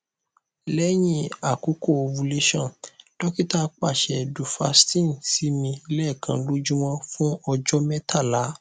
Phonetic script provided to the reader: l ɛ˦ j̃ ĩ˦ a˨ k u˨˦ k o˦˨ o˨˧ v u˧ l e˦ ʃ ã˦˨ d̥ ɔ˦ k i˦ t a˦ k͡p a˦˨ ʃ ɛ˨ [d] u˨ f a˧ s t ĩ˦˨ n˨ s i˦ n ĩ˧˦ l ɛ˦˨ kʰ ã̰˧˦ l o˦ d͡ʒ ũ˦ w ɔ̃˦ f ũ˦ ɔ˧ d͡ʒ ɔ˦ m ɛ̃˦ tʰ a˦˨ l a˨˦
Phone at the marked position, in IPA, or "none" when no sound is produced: d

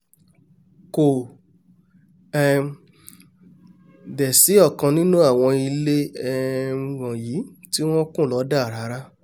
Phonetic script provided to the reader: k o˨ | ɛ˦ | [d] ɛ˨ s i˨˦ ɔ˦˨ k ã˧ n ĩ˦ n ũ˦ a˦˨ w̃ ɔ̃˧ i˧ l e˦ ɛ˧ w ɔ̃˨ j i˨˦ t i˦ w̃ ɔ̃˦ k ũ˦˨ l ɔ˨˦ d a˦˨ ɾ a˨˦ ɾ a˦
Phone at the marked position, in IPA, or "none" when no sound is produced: d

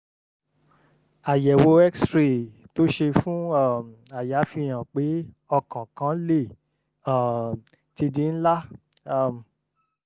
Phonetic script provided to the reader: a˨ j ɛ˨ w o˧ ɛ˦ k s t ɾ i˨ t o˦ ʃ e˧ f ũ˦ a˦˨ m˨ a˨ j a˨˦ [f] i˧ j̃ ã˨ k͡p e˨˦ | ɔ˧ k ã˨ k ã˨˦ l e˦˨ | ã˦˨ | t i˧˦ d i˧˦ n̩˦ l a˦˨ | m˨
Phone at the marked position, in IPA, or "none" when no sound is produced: f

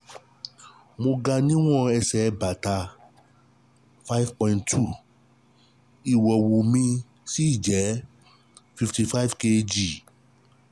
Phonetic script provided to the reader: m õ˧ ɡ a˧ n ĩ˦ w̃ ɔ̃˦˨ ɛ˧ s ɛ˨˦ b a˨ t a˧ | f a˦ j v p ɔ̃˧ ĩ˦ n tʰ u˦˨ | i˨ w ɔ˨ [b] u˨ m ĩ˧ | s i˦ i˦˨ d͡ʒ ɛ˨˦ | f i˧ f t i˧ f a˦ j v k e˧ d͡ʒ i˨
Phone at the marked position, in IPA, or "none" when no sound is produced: w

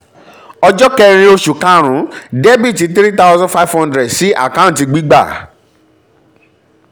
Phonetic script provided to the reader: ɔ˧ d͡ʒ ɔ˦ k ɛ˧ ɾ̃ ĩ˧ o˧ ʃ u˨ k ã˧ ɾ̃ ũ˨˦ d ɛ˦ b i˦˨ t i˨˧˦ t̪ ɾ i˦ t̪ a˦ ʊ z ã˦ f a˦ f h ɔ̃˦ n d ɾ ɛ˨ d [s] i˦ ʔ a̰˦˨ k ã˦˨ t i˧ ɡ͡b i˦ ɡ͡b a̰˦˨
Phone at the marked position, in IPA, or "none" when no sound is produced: s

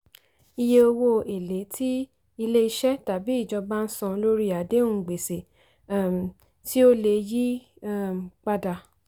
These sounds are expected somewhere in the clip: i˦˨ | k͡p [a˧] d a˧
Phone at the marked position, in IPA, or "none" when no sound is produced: a˧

